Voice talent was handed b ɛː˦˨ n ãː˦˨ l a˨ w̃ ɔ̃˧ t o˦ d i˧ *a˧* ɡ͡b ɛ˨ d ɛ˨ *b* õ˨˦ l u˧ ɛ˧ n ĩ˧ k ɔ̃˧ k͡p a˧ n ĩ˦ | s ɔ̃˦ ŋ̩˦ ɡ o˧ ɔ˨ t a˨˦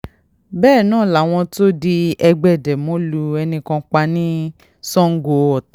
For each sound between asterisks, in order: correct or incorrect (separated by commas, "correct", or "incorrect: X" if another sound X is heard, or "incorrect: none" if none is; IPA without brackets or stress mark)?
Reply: incorrect: ɛ˧, incorrect: m